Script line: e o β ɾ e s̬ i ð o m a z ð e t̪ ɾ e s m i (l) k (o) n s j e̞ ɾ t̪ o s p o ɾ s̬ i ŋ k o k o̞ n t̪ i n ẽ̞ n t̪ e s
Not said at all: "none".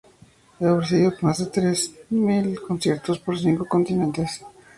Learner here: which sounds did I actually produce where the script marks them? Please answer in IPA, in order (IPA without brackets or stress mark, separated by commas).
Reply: l, o